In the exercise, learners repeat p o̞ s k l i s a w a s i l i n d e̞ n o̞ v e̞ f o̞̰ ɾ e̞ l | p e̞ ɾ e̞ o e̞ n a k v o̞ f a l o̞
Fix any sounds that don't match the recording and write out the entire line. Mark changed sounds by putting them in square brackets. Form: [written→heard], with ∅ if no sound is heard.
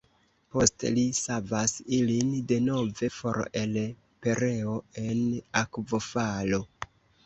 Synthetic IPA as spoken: p o̞ s [k→t] l i s a [w→v] a s i l i n d e̞ n o̞ v e̞ f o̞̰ ɾ e̞ l | p e̞ ɾ e̞ o e̞ n a k v o̞ f a l o̞